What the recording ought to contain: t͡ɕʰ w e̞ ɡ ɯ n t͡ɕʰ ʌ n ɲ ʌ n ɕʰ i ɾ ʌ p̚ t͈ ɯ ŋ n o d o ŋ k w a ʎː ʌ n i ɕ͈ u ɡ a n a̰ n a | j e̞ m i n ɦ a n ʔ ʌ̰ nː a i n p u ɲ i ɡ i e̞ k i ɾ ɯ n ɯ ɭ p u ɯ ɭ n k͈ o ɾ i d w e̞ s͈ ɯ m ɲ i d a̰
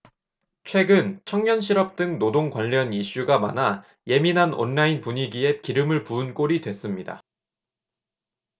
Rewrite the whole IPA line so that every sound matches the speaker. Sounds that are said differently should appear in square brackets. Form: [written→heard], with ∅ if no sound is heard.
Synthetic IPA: t͡ɕʰ w e̞ ɡ ɯ n t͡ɕʰ ʌ [n→ŋ] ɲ ʌ n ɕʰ i ɾ ʌ p̚ t͈ ɯ ŋ n o d o ŋ k w a ʎː ʌ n i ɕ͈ u ɡ a [n→m] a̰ n a | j e̞ m i n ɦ a n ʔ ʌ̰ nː a i n p u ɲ i ɡ i e̞ k i ɾ ɯ [n→m] ɯ ɭ p u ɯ [ɭ→∅] n k͈ o ɾ i d w e̞ s͈ ɯ m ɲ i d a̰